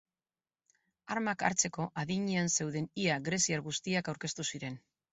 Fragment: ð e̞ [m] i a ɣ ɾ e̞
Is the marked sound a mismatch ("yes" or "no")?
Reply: yes